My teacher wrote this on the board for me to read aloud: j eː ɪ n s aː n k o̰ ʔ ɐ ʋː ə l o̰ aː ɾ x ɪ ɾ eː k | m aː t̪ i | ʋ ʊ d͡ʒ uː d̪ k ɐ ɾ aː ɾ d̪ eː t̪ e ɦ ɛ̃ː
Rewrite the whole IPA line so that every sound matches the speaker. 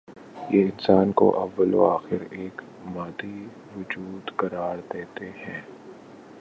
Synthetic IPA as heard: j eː ɪ n s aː n k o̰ ʔ ɐ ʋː ə l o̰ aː x ɪ ɾ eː k | m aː d̪ i | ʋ ʊ d͡ʒ uː d̪ k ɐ ɾ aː ɾ d̪ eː t̪ e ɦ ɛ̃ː